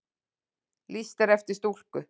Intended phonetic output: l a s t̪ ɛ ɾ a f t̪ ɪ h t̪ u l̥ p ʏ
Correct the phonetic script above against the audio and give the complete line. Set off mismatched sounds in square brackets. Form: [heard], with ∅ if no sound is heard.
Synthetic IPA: l [i] s t̪ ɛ ɾ [ɛ] f t̪ ɪ [s] t̪ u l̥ [k] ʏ